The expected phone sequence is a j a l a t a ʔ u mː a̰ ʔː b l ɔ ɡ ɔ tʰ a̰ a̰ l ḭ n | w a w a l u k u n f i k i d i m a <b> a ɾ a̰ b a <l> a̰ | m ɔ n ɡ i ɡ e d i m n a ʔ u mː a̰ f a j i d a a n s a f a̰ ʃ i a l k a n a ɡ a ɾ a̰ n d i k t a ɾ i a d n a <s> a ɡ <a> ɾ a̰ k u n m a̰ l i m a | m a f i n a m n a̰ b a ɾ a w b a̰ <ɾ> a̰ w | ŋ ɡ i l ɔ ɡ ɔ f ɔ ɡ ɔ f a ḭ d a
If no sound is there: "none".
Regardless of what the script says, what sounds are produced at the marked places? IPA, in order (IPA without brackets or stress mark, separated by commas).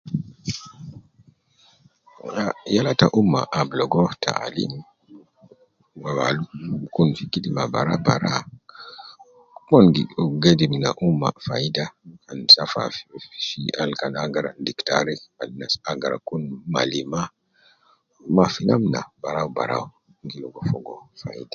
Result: b, ɾ, s, a, ɾ